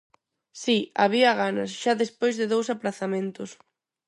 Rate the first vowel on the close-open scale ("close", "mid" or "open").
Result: close